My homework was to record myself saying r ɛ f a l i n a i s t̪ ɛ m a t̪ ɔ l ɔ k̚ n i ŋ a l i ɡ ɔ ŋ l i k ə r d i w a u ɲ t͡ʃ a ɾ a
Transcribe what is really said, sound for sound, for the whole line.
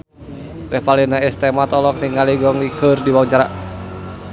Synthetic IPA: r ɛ f a l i n a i s t̪ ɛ m a t̪ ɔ l ɔ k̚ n i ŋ a l i ɡ ɔ ŋ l i k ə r d i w a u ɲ t͡ʃ a ɾ a